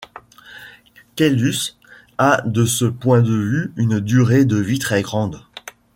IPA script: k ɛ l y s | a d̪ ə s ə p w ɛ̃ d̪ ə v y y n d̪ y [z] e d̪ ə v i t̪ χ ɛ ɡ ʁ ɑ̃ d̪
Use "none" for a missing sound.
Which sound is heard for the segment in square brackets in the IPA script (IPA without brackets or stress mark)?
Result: ʁ